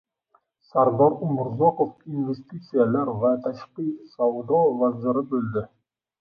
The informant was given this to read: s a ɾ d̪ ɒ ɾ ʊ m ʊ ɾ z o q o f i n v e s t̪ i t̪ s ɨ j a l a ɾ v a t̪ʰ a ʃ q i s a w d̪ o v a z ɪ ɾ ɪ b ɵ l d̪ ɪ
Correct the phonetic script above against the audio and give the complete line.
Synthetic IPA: s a ɾ d̪ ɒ ɾ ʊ m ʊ ɾ z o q o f i n v e s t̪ i t̪ s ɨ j a l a ɾ v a t̪ʰ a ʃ q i s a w d̪ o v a z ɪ ɾ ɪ b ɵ l d̪ ɪ